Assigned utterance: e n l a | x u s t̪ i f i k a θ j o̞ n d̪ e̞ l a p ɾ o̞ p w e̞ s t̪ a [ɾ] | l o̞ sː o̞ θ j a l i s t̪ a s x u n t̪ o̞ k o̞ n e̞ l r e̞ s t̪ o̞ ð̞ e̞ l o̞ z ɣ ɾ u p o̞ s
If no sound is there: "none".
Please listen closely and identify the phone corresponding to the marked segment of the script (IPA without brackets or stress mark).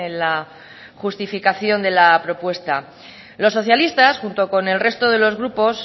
none